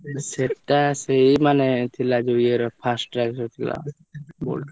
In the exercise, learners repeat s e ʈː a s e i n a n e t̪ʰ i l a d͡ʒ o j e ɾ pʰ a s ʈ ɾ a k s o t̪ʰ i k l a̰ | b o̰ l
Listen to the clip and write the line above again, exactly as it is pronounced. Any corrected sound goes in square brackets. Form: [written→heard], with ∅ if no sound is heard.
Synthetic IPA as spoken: s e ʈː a s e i [n→m] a n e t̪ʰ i l a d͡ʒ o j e ɾ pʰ a s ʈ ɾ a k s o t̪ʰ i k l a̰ | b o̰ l